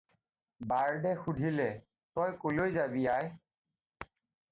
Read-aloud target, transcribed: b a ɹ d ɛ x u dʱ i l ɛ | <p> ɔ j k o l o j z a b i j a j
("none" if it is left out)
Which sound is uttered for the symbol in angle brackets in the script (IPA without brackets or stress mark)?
t